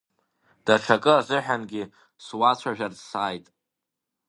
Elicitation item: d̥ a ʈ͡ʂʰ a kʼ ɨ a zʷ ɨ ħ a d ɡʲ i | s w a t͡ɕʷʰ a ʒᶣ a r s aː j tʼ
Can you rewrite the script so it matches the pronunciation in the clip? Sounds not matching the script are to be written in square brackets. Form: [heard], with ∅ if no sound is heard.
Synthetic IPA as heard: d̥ a ʈ͡ʂʰ a kʼ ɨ a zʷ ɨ ħ a [n] ɡʲ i | s w a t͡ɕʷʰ a ʒᶣ a r s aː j tʼ